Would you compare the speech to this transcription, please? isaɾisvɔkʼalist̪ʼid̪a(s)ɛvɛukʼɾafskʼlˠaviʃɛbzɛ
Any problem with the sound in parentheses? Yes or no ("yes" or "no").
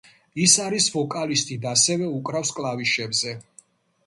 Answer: no